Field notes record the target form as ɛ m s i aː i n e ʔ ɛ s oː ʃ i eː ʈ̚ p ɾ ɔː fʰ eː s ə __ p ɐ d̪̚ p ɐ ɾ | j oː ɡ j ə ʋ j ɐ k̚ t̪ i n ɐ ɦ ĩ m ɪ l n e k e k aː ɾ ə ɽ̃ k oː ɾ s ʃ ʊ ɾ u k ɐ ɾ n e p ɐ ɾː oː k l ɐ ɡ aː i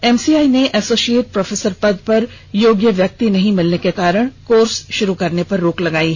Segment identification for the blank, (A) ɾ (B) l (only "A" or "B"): A